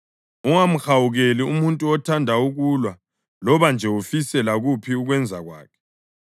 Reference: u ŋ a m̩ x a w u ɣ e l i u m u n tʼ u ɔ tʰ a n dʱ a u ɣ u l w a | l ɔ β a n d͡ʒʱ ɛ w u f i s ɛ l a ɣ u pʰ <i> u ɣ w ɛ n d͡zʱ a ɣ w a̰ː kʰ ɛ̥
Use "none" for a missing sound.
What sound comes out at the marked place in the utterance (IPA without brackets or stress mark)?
i